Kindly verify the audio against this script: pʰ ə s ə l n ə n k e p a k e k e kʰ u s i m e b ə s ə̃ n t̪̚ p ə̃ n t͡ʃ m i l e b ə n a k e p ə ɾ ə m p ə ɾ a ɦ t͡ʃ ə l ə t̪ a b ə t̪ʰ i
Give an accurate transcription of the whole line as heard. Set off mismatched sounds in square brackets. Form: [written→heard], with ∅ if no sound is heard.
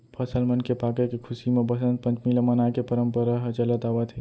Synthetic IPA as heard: pʰ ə s ə l [n→m] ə n k e p a k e k e kʰ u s i m e b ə s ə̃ n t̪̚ p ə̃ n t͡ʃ m i l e [b→m] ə n a k e p ə ɾ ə m p ə ɾ a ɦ t͡ʃ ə l ə t̪ a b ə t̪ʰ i

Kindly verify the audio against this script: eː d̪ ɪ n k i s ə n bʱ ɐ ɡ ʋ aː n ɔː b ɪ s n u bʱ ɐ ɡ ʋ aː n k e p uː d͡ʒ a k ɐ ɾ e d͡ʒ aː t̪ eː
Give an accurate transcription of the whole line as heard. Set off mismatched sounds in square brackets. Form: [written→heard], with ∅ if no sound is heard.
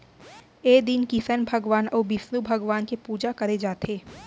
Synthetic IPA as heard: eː d̪ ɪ n k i s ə n bʱ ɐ ɡ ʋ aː n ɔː b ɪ s n u bʱ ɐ ɡ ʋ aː n k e p uː d͡ʒ a k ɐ ɾ e d͡ʒ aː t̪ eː

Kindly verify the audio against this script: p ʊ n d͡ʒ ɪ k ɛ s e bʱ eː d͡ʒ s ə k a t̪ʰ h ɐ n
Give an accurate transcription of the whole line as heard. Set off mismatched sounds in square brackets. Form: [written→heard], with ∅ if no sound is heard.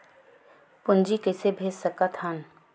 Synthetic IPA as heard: p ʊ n d͡ʒ [ɪ→i] k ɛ s e bʱ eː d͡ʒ s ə k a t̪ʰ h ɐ n

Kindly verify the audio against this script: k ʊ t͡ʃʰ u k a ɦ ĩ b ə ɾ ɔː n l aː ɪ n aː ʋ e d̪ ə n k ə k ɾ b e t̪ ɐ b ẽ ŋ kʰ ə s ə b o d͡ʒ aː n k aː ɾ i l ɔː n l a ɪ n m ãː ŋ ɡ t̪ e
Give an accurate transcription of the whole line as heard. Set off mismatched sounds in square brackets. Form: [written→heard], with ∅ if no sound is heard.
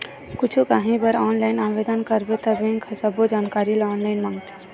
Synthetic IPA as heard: k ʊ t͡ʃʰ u k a ɦ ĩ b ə ɾ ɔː n l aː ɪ n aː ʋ e d̪ ə n k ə [k→∅] ɾ b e t̪ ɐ b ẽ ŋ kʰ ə s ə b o d͡ʒ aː n k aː ɾ i l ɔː n l a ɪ n m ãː ŋ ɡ t̪ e

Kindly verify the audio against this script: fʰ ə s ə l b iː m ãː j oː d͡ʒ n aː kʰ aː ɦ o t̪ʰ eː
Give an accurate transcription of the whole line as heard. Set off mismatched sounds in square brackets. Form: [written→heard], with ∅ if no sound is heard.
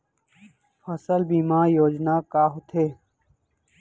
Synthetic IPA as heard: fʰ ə s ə l b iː m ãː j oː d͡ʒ n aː [kʰ→k] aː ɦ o t̪ʰ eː

